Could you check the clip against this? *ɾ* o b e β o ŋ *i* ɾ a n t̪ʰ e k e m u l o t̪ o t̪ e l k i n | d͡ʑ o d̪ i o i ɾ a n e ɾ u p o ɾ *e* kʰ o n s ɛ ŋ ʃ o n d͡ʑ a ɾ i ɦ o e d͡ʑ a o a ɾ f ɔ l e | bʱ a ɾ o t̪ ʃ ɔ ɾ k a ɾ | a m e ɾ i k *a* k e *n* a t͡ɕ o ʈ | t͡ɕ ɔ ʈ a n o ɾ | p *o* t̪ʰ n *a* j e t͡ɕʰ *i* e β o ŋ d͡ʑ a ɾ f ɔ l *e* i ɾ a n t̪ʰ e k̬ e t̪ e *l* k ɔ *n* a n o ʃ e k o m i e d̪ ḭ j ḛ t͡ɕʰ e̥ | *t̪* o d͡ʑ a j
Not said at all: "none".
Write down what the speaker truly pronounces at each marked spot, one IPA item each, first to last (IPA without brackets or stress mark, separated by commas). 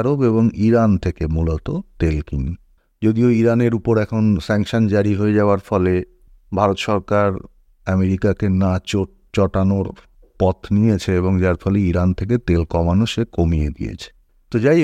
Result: ɾ, i, ɛ, a, n, ɔ, i, e, e, l, m, t̪